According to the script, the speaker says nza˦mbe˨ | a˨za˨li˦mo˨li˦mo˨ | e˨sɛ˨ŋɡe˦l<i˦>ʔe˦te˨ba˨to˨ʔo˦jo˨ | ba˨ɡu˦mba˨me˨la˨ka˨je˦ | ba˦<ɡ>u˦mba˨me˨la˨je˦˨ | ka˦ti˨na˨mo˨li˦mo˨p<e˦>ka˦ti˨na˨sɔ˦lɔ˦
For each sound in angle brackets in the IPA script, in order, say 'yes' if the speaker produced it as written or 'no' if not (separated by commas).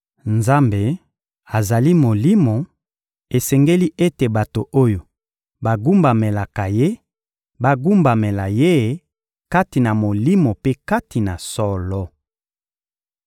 yes, yes, yes